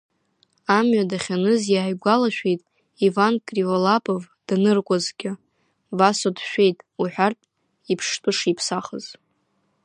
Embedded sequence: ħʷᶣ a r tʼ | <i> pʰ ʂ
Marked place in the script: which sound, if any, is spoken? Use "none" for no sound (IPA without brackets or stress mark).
i